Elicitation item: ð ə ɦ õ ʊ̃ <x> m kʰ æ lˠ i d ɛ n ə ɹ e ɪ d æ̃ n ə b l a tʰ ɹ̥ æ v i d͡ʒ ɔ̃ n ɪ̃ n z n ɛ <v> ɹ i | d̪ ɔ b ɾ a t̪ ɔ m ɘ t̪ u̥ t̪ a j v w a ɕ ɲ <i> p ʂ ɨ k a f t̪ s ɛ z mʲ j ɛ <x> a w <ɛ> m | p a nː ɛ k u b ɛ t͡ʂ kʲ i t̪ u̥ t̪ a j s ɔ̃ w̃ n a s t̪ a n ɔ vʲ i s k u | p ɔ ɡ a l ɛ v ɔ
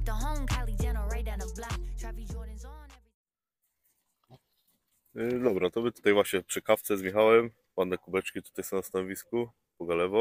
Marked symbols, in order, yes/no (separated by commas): no, yes, no, yes, yes